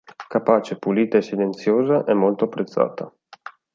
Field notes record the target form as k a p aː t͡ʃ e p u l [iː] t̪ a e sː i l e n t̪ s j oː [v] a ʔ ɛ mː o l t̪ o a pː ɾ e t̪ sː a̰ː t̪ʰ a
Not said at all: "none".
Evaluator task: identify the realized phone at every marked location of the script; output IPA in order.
iː, z

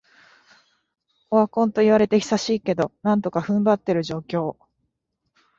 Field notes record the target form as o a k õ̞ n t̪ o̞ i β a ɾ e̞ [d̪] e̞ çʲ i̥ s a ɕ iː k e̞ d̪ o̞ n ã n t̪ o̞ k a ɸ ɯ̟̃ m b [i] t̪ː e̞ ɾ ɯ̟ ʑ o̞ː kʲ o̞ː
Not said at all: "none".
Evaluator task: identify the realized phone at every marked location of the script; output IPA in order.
t̪, a

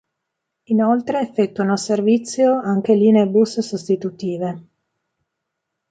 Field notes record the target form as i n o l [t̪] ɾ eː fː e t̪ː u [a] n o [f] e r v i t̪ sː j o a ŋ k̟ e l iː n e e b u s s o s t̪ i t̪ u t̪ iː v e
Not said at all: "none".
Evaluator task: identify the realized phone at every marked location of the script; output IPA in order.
t̪, a, s

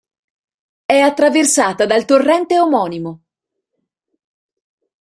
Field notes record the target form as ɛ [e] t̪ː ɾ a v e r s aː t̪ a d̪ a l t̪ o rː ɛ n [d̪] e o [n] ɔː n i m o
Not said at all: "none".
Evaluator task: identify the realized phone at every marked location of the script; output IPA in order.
a, t̪, m

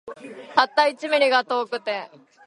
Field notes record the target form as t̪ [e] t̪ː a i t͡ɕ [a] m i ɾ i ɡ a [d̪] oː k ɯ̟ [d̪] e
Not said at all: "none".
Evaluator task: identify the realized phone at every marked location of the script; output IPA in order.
a, i, t̪, t̪

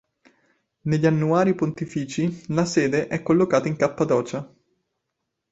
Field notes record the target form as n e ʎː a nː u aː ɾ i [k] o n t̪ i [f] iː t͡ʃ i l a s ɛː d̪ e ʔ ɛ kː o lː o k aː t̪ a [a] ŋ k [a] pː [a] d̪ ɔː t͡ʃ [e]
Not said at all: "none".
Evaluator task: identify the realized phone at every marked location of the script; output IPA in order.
p, f, i, a, a, a

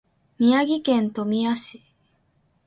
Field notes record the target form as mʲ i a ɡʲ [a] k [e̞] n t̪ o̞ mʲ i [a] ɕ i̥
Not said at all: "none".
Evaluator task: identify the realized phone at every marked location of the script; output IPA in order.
i, ẽ̞, a

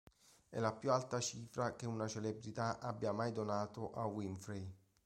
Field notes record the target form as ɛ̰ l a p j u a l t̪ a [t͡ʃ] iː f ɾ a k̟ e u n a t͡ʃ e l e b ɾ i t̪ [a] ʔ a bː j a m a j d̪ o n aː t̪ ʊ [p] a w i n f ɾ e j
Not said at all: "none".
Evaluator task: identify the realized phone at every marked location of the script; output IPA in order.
t͡ʃ, a, ʔ

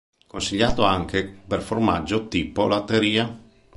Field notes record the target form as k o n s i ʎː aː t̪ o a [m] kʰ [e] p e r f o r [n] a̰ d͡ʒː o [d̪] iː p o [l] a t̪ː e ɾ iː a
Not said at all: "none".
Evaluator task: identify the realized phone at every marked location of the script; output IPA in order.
ŋ, e, m, t̪, l

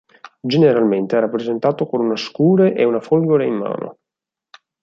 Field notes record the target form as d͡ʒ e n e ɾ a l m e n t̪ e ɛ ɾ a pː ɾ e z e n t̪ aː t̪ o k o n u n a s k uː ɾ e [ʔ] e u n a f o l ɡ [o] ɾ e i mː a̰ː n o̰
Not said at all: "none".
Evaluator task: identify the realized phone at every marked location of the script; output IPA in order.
ʔ, o

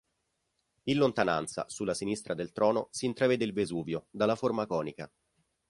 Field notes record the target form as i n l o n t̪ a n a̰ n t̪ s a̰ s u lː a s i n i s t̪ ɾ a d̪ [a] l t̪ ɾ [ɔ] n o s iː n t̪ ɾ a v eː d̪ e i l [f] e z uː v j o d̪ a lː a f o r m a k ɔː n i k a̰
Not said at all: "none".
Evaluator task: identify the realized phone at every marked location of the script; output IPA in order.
e, ɔː, v

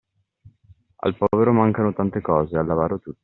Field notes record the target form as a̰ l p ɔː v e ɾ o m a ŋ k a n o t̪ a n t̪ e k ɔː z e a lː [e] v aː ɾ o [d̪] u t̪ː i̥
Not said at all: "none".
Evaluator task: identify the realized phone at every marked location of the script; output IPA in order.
a, t̪

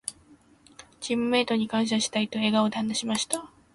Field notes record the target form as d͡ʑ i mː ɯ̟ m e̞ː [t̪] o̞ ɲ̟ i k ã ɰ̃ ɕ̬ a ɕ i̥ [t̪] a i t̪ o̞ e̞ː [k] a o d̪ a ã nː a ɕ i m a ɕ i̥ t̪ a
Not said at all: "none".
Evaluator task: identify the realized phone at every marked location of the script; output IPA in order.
t̪, t̪, ɡ

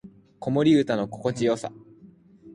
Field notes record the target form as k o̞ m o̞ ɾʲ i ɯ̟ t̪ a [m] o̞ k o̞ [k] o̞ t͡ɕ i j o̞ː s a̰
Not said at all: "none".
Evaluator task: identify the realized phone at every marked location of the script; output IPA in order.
n, k

